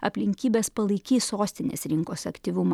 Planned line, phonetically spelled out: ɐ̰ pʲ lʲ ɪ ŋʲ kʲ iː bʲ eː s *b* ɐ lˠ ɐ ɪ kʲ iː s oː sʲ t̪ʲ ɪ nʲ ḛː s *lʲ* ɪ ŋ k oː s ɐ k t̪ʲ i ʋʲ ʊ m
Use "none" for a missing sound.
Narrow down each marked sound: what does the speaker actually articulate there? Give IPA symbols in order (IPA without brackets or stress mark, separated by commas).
p, ɾʲ